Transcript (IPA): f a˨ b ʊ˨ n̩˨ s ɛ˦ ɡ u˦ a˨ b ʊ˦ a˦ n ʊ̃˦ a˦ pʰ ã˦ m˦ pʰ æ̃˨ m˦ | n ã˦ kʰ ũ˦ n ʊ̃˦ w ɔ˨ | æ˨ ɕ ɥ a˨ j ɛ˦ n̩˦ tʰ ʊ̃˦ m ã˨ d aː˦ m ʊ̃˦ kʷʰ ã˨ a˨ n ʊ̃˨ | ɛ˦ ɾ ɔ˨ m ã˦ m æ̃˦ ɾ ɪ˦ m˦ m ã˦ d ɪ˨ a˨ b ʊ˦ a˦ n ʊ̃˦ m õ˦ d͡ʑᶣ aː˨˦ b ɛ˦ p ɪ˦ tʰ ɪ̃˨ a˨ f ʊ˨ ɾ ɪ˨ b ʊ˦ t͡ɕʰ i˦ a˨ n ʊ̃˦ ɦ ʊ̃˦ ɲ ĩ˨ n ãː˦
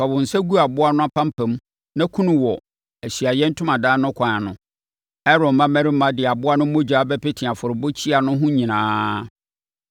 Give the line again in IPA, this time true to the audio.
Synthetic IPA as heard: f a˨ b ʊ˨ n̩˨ s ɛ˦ ɡ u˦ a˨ b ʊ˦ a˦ n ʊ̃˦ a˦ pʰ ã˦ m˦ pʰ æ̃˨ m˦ | n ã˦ kʰ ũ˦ n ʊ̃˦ w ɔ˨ | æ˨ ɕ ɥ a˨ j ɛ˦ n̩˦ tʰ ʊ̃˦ m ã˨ d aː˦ n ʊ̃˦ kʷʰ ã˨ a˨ n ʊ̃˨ | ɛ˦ ɾ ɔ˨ m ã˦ m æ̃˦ ɾ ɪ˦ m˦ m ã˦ d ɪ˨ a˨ b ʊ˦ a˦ n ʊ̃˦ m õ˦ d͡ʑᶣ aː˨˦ b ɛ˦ p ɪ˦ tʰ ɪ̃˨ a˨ f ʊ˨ ɾ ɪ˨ b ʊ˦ t͡ɕʰ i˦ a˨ n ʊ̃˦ ɦ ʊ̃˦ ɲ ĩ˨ n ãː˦